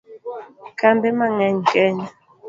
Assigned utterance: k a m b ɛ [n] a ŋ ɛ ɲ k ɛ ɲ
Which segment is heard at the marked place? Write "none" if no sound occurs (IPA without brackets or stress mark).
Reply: m